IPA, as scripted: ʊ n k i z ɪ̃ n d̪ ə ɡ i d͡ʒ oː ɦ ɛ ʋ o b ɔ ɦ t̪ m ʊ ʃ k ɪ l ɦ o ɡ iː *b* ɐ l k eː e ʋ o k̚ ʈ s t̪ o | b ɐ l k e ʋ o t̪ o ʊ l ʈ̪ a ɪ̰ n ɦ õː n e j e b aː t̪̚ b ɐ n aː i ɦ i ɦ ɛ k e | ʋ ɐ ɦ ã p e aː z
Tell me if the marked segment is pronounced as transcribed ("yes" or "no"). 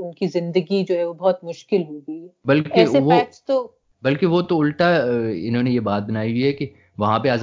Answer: yes